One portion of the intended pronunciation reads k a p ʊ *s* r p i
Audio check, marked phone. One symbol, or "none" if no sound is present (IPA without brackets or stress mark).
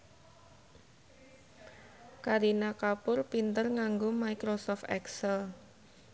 none